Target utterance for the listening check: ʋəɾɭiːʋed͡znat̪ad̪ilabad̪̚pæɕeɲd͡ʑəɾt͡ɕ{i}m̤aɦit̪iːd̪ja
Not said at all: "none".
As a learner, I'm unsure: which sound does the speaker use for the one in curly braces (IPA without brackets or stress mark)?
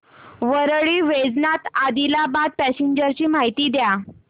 iː